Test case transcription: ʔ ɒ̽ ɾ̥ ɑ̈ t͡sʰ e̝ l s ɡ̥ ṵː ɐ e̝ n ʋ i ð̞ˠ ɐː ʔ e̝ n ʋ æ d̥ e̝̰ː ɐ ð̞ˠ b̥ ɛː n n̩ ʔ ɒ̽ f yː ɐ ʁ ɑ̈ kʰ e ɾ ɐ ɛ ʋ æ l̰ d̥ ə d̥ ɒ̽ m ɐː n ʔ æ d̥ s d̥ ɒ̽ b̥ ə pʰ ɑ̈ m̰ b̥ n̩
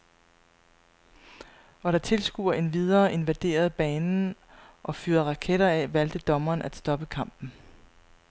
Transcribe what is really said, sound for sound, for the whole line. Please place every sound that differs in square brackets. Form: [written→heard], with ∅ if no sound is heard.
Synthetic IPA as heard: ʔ ɒ̽ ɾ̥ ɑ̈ t͡sʰ e̝ l s ɡ̥ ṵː ɐ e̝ n ʋ i ð̞ˠ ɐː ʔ e̝ n ʋ æ d̥ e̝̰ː ɐ ð̞ˠ b̥ ɛː n n̩ ʔ ɒ̽ f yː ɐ ʁ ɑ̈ kʰ e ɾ ɐ ɛ ʋ æ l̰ d̥ ə d̥ ɒ̽ m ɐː n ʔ æ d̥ s d̥ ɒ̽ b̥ ə [pʰ→kʰ] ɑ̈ m̰ b̥ n̩